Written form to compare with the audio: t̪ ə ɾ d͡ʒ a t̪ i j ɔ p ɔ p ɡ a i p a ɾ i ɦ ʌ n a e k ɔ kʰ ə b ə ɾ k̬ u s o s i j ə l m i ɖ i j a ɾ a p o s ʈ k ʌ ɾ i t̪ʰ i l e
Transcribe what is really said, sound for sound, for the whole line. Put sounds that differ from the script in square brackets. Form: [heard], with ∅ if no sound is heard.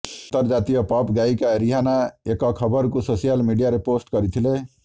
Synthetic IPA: t̪ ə ɾ d͡ʒ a t̪ i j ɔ p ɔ p ɡ a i [k] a ɾ i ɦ [a] n a e k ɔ kʰ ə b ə ɾ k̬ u s o s i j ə l m i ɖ i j a ɾ [e] p o s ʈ k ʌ ɾ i t̪ʰ i l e